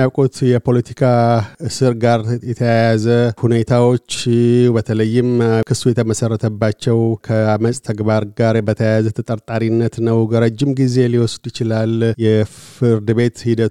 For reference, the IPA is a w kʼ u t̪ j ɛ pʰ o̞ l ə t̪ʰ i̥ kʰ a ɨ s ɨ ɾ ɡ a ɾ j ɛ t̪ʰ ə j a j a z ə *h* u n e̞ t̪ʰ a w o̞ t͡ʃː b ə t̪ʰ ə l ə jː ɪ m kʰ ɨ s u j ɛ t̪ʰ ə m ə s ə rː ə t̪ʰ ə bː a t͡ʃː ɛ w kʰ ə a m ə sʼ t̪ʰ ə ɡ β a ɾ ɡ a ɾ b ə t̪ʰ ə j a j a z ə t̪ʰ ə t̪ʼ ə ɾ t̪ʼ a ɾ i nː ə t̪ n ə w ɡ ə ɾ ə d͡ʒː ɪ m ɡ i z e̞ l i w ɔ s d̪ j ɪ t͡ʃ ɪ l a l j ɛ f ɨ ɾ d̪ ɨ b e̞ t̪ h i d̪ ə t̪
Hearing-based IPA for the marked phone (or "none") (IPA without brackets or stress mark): h